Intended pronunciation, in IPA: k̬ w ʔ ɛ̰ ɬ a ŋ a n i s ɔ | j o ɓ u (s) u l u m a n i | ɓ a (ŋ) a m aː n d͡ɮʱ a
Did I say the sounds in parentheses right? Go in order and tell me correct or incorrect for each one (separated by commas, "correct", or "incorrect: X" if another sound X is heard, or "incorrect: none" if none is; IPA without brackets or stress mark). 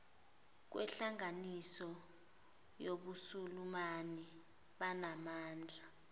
correct, incorrect: n